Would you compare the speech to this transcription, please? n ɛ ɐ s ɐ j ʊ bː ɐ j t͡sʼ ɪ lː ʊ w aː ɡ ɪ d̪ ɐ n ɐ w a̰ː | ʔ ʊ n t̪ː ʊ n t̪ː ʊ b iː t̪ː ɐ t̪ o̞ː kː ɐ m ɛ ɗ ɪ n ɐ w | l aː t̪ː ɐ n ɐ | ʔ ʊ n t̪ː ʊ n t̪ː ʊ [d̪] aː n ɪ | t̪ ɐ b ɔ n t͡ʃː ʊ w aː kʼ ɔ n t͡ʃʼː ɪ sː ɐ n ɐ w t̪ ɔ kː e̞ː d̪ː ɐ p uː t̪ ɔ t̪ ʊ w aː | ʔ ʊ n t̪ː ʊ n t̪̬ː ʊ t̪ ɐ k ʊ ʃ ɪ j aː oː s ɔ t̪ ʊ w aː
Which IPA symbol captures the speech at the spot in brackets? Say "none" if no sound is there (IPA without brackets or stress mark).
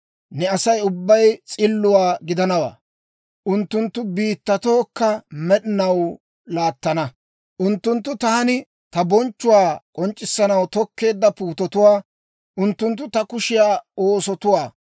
t̪